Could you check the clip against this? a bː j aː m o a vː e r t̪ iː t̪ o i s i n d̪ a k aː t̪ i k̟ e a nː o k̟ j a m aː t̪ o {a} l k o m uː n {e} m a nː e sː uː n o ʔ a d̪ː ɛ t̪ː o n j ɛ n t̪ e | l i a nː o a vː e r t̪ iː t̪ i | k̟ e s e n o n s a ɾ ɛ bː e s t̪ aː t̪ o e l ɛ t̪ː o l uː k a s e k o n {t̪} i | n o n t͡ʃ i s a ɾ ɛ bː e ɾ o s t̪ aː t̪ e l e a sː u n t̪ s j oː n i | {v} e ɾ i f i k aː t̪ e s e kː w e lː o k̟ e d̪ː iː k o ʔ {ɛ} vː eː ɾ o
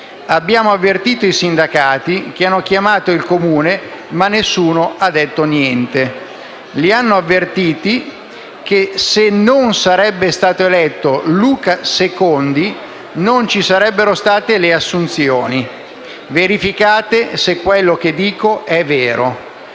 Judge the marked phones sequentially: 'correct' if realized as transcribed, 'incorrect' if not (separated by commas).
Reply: incorrect, correct, incorrect, correct, correct